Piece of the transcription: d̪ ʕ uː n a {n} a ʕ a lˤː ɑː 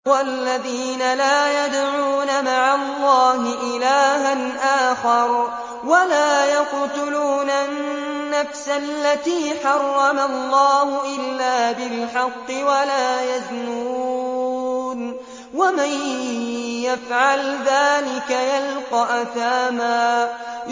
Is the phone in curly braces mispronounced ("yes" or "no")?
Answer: yes